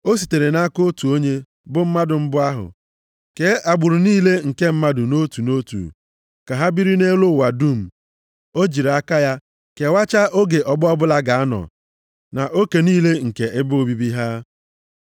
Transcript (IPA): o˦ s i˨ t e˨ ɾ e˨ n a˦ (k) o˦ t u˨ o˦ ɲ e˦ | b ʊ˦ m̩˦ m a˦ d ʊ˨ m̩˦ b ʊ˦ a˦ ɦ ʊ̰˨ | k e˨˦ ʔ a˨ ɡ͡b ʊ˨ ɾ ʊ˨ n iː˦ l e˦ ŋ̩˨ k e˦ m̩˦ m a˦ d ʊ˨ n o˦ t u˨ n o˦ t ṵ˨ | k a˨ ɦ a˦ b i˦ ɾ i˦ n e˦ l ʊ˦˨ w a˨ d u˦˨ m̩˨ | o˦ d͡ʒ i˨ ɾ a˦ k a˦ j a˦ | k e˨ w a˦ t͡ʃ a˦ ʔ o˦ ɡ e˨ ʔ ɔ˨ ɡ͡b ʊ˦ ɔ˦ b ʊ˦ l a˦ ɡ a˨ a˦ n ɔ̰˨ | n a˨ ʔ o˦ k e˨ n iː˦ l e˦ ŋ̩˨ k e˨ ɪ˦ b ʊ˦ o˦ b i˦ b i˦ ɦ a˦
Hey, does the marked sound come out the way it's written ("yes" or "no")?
yes